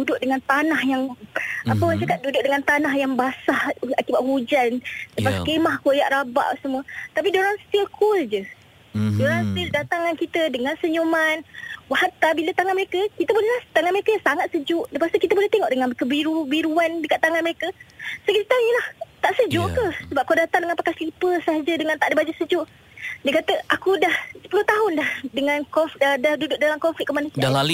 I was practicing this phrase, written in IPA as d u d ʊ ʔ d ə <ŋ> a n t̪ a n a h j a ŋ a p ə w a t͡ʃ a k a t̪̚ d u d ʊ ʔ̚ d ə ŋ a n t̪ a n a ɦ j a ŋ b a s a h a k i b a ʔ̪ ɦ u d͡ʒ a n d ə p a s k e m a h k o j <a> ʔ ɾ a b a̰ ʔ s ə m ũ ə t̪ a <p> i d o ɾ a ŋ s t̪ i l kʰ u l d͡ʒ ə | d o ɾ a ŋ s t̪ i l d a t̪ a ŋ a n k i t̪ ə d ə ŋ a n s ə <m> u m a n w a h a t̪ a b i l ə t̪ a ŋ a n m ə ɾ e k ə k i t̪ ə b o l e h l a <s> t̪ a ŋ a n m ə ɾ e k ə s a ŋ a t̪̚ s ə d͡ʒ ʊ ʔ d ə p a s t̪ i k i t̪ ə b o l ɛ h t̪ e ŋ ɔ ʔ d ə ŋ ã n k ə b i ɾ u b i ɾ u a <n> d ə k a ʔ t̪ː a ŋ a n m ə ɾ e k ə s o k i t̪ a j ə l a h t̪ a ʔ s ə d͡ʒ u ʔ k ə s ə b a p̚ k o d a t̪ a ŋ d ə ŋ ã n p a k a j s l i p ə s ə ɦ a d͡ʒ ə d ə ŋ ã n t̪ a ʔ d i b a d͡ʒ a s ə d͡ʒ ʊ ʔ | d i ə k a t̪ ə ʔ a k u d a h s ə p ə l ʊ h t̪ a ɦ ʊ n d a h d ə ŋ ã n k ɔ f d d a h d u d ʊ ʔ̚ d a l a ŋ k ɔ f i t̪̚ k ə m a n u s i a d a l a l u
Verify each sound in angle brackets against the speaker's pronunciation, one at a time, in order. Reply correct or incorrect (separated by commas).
correct, correct, correct, incorrect, incorrect, correct